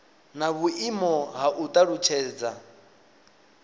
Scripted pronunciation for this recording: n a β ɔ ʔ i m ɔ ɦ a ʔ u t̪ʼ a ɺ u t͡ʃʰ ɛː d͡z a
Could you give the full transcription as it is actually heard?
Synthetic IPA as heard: n a β u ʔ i m ɔ ɦ a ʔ u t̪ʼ a ɺ u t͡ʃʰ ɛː d͡z a